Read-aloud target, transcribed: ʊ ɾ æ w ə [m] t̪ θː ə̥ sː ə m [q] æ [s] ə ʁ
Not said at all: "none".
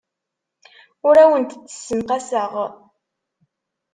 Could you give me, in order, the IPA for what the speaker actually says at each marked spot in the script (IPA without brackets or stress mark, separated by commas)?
n, q, s